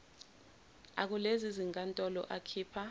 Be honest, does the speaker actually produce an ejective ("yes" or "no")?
yes